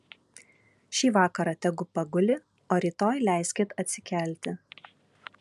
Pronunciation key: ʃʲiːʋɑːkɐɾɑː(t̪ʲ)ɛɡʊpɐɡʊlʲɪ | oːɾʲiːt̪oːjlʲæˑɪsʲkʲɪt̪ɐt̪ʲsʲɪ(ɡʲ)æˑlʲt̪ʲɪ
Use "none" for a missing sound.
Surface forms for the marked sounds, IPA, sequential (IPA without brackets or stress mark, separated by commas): t̪ʲ, kʲ